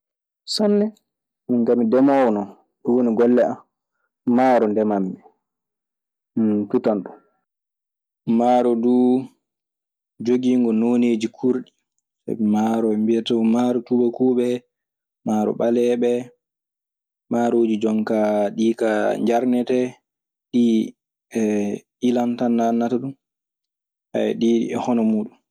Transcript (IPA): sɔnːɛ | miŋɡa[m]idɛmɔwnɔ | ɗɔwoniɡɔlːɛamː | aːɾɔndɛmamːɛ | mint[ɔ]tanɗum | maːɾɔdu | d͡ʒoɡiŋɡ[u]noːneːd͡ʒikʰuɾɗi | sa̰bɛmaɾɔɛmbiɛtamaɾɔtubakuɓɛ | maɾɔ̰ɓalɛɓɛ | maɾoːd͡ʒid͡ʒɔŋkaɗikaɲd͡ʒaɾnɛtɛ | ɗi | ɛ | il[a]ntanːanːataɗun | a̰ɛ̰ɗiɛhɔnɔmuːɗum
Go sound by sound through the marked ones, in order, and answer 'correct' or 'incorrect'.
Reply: correct, incorrect, incorrect, correct

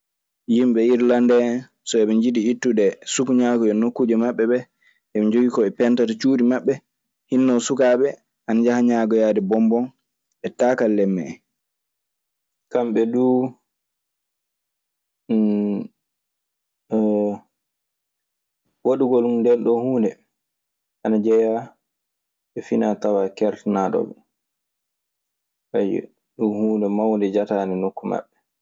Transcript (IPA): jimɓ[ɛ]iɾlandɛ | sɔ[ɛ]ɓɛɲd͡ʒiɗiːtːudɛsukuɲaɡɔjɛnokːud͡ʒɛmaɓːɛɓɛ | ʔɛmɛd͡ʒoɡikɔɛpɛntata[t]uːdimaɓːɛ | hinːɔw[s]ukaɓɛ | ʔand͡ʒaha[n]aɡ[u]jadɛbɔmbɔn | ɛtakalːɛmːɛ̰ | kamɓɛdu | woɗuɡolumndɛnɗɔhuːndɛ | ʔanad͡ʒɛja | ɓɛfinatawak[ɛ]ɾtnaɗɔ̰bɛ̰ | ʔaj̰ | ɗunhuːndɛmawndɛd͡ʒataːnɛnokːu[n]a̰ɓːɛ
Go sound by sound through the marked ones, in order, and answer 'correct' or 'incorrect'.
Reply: correct, correct, incorrect, correct, incorrect, incorrect, correct, incorrect

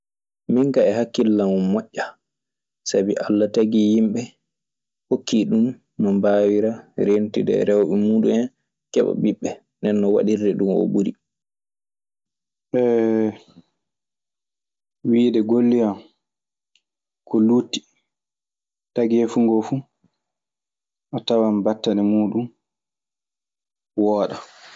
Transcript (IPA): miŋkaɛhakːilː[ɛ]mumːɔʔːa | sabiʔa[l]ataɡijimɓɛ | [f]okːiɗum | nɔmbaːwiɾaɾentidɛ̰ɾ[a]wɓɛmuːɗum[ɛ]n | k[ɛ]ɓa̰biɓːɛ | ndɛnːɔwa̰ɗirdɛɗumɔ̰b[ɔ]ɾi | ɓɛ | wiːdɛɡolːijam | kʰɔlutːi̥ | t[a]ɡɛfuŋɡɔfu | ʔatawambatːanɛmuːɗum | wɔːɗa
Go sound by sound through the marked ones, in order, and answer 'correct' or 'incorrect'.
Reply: incorrect, incorrect, incorrect, incorrect, correct, correct, incorrect, correct

